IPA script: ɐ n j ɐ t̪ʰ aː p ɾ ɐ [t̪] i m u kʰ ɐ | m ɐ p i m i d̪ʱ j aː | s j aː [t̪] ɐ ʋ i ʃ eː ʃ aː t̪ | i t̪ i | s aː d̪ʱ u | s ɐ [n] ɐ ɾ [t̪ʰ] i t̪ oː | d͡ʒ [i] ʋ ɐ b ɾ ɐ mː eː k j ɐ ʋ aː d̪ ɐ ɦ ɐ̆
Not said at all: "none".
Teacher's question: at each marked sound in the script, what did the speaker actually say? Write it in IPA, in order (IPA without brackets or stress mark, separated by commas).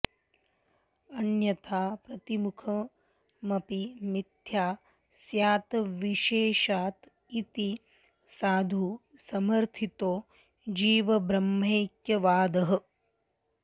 t̪, t̪, m, t̪ʰ, iː